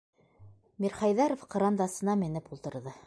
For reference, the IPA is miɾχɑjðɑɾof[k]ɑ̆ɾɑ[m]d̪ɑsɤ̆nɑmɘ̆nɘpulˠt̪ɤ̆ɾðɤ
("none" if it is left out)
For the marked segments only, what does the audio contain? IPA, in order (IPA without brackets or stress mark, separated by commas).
q, n